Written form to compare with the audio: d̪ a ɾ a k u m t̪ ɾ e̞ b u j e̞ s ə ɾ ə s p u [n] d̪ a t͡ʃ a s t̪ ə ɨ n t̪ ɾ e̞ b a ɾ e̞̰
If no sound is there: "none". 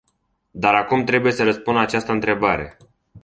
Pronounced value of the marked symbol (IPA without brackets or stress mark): n